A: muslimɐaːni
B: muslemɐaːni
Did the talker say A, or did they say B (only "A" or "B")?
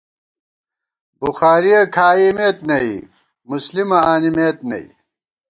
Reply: A